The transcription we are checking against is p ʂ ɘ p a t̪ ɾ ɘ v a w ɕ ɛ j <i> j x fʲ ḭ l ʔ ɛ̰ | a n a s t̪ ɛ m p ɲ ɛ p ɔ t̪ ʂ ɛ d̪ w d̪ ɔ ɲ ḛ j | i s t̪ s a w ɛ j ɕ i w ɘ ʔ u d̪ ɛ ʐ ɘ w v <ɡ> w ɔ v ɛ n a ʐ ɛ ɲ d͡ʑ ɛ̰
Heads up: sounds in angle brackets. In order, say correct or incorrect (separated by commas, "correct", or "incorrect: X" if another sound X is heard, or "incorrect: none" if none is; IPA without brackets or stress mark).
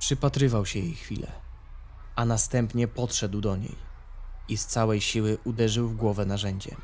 incorrect: e, correct